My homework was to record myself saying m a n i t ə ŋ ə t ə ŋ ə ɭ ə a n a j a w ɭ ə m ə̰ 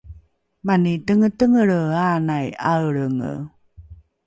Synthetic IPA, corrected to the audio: m a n i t ə ŋ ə t ə ŋ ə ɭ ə a n a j a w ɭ ə ŋ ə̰